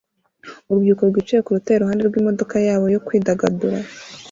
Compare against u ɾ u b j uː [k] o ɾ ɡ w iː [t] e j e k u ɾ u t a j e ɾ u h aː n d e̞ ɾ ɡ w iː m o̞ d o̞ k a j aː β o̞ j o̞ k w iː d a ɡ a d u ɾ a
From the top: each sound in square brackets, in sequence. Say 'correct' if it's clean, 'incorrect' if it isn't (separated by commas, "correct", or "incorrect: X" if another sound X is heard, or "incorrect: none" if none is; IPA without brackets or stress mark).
correct, incorrect: t͡ʃ